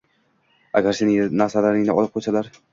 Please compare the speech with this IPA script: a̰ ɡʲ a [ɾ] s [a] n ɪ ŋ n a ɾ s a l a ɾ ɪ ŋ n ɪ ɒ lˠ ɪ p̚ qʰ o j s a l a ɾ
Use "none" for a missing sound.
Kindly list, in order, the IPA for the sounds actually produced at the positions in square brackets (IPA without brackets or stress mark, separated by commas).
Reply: ɾ, e